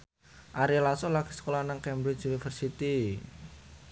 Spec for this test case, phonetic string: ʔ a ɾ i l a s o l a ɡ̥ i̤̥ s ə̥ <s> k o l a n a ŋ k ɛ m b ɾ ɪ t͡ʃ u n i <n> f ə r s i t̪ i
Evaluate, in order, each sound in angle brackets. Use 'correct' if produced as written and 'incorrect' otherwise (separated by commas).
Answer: incorrect, incorrect